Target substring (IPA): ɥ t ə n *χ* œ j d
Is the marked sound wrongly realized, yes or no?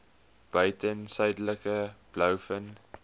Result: yes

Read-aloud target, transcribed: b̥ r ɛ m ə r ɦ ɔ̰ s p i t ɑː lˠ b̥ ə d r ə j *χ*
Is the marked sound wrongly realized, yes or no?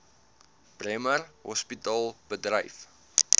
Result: yes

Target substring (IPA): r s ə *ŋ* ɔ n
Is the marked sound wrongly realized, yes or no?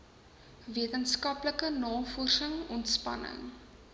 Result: no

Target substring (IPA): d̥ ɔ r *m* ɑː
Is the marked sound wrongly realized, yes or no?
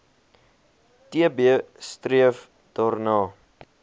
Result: yes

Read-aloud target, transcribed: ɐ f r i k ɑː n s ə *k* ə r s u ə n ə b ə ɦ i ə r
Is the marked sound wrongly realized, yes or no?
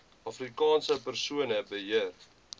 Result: yes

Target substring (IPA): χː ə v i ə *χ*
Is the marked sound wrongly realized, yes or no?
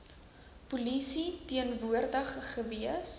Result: yes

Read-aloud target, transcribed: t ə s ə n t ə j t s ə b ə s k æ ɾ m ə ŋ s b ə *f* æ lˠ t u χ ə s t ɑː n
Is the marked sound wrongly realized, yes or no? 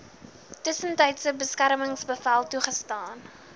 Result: no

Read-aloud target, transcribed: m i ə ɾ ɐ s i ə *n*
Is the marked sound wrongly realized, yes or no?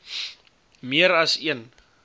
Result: no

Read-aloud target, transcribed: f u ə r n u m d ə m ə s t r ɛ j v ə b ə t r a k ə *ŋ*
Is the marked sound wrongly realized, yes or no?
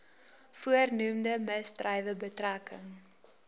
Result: no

